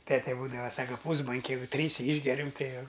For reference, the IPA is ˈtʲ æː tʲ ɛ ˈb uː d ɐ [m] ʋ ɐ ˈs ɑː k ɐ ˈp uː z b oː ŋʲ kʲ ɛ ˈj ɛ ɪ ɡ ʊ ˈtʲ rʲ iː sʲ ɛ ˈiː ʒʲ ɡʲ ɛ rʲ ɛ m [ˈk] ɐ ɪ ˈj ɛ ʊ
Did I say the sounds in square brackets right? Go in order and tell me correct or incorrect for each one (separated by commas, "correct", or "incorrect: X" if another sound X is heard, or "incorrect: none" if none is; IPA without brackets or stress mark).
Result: incorrect: none, incorrect: t